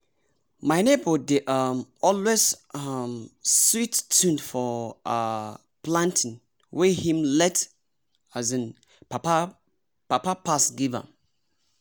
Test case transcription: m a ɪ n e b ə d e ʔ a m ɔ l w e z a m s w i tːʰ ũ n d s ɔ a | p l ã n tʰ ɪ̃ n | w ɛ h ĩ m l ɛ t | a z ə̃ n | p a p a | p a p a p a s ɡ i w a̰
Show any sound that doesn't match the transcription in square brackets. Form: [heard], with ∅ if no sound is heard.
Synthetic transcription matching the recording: m a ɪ n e b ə d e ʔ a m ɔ l w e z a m s w i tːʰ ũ n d [f] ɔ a | p l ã n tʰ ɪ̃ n | w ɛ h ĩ m l ɛ t | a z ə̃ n | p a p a | p a p a p a s ɡ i [v] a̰